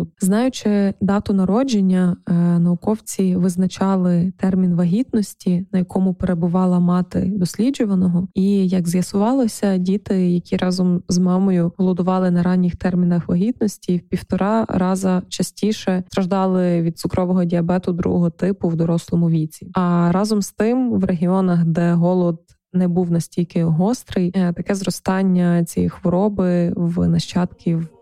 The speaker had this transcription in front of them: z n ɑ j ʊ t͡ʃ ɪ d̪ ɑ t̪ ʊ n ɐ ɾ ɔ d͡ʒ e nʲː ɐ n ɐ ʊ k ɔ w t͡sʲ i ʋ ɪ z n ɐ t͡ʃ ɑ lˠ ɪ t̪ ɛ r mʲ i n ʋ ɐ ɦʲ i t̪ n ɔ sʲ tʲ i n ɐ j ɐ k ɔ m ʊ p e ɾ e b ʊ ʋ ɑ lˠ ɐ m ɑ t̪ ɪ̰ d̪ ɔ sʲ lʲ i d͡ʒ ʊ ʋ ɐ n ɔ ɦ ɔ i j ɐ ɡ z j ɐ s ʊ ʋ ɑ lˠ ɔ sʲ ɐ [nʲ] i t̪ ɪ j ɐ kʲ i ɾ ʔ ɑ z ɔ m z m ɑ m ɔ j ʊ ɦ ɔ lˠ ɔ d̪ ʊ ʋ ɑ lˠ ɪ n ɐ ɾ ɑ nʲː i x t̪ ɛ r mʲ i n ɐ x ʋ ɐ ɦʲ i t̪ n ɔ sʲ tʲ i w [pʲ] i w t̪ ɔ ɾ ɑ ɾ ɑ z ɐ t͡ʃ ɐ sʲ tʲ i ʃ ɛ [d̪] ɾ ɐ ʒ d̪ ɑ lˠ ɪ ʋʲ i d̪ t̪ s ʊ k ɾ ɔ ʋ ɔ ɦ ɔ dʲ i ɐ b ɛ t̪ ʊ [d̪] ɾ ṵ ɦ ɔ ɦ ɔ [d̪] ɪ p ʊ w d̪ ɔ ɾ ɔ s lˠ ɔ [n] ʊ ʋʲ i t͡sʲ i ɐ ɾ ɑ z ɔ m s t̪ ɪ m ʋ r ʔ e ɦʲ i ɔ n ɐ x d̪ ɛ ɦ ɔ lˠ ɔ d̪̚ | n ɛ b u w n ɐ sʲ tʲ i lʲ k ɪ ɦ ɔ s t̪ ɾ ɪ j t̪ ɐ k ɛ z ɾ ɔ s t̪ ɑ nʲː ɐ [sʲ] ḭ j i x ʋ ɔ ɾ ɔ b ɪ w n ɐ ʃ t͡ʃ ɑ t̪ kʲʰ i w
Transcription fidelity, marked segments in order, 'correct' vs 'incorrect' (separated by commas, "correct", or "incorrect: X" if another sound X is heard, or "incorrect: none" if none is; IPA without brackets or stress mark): incorrect: dʲ, correct, incorrect: t̪, correct, incorrect: t̪, incorrect: m, incorrect: t͡sʲ